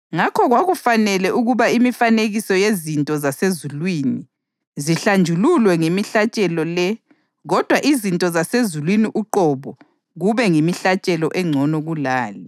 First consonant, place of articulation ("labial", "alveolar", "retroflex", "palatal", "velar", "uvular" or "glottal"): velar